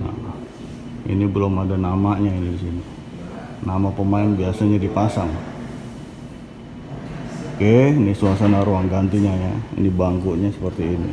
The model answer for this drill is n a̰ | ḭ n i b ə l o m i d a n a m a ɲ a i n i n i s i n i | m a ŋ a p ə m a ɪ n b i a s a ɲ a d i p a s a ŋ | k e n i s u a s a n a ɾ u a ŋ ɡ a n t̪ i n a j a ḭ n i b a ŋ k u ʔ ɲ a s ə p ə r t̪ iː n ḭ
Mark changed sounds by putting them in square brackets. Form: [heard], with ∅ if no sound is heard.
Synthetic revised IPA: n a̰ | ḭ n i b ə l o m [a] d a n a m a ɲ a i n i [d] i s i n i | [n] a [m] a p ə m a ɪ n b i a s a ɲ a d i p a s a ŋ | k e n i s u a s a n a ɾ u a ŋ ɡ a n t̪ i [ɲ] a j a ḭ n i b a ŋ k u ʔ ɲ a s ə p ə r t̪ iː n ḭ